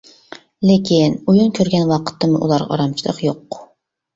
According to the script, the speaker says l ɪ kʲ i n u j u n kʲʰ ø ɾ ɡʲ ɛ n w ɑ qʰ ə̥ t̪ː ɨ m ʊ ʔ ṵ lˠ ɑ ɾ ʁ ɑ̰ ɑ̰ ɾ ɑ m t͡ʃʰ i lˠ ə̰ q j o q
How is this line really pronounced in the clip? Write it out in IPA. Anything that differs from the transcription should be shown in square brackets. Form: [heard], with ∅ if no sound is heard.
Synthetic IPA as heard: l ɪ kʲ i n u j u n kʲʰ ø ɾ ɡʲ ɛ n w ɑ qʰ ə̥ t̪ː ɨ m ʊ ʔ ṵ lˠ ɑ ɾ ʁ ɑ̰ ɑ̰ ɾ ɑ m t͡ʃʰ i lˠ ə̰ q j o q